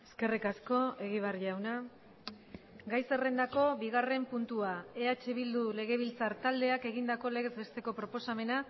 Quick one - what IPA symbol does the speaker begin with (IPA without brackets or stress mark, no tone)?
e